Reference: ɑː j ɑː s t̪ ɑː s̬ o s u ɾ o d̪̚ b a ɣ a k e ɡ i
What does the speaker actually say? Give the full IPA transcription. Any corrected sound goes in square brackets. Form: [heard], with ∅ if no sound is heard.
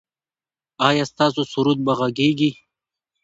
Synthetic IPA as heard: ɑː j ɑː s t̪ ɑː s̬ o s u ɾ [u] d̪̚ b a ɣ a [ɡ] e ɡ i